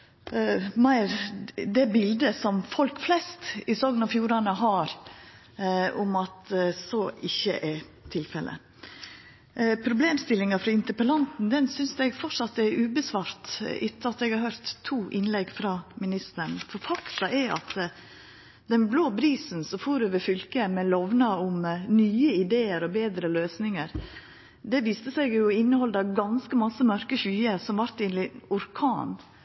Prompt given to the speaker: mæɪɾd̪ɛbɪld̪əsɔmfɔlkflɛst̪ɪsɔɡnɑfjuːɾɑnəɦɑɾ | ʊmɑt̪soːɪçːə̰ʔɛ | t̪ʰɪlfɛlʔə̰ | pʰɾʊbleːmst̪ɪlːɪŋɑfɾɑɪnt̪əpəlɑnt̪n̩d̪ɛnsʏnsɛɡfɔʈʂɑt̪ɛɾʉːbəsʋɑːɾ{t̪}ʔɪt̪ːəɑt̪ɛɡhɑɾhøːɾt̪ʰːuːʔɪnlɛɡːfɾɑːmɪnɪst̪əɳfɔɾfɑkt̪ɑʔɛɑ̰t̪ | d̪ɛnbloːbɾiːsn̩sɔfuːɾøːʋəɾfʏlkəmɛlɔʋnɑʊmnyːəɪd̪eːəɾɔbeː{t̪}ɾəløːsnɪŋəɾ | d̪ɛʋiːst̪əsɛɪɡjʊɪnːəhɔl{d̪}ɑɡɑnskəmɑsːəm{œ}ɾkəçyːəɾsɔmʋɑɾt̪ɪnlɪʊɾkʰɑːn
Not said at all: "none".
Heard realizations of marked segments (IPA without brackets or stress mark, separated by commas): t̪, d̪, d̪, œ